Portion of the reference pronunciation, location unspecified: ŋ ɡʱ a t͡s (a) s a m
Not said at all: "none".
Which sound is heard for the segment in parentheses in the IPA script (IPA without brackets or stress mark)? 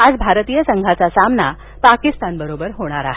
a